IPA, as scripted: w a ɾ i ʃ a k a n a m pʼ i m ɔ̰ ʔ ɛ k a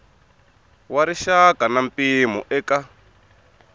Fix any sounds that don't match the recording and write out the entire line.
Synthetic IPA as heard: w a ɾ i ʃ a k a n a m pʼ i m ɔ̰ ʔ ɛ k a

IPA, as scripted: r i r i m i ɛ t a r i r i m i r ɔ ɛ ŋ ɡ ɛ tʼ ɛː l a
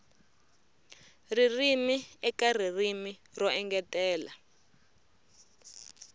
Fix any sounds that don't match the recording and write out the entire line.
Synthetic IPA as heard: r i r i m i ɛ k a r i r i m i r ɔ ɛ ŋ ɡ ɛ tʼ ɛː l a

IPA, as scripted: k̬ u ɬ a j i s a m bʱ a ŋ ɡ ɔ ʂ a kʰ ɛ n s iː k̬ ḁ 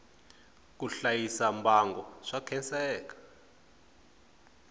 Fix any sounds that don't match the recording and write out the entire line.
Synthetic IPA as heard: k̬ u ɬ a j i s a m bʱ a ŋ ɡ ɔ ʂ a kʰ ɛ n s ɛː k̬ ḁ

